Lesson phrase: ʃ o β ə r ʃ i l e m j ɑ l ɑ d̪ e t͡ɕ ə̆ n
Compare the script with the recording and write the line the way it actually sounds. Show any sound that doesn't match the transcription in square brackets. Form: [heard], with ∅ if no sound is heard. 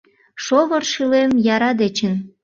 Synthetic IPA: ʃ o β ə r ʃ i l e m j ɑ [ɾ] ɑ d̪ e t͡ɕ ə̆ n